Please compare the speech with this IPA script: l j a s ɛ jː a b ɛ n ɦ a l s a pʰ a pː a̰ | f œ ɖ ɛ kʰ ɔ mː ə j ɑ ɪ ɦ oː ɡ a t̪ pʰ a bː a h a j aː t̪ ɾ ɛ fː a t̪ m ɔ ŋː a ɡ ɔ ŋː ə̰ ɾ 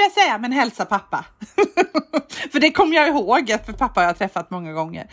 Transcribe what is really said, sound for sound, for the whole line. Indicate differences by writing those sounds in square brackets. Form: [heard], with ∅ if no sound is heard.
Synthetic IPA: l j a s ɛ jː a [m] ɛ n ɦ [ɛ] l s a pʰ a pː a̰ | f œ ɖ ɛ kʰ ɔ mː ə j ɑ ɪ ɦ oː ɡ a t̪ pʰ a [pː] a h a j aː [t̪ʰ] ɾ ɛ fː a t̪ m ɔ ŋː a ɡ ɔ ŋː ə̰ ɾ